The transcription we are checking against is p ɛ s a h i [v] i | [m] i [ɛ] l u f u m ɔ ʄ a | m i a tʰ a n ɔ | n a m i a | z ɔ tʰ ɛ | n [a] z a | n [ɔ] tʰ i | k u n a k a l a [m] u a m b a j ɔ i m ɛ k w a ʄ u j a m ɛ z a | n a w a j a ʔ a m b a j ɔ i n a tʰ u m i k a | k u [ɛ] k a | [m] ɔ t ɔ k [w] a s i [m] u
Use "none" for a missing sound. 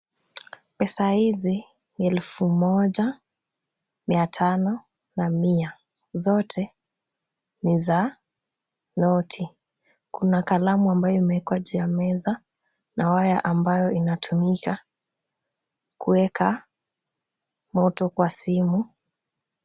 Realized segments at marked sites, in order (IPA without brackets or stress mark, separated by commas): z, n, ɛ, i, ɔ, m, ɛ, m, w, m